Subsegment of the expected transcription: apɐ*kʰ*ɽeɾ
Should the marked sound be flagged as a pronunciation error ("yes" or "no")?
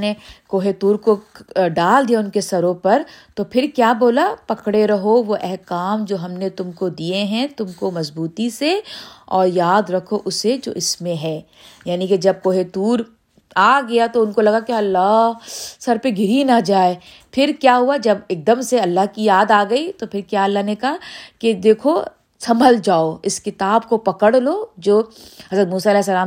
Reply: yes